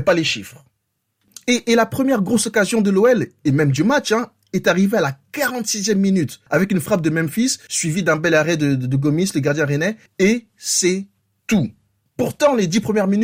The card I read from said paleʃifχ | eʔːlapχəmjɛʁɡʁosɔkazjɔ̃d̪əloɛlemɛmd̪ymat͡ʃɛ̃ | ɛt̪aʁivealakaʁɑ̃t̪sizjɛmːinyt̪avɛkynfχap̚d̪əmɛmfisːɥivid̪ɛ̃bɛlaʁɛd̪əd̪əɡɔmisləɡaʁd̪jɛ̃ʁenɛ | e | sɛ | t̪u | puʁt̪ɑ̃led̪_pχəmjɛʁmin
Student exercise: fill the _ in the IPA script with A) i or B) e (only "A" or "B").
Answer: A